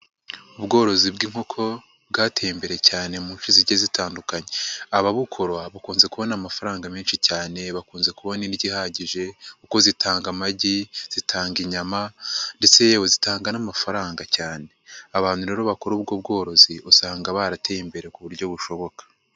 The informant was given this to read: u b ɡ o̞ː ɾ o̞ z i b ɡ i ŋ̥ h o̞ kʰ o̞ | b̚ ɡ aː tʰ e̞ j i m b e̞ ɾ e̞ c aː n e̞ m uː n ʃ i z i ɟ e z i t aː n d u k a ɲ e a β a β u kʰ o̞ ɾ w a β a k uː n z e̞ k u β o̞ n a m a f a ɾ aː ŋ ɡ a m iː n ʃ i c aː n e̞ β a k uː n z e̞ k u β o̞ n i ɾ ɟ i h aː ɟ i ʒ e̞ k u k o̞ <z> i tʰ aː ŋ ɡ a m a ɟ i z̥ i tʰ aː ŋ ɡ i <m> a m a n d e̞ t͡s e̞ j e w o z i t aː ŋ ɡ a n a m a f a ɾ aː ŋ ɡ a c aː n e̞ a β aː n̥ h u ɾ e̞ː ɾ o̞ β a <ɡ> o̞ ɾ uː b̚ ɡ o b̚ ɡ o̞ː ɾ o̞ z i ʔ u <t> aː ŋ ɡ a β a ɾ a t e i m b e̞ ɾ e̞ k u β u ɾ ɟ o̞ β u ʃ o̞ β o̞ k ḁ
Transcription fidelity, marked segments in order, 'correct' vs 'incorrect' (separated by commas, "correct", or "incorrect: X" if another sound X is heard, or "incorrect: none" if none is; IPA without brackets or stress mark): correct, incorrect: ɲ, incorrect: k, incorrect: s